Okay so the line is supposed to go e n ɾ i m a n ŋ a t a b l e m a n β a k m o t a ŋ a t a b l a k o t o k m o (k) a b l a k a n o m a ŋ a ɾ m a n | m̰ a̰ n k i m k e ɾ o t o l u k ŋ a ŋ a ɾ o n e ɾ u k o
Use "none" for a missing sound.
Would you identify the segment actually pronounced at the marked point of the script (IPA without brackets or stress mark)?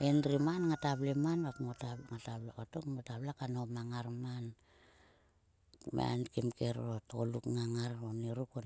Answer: t